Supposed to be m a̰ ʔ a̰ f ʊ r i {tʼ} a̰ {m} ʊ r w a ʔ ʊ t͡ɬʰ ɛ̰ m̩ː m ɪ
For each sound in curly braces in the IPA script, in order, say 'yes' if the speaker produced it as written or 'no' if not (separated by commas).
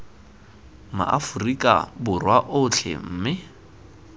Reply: no, no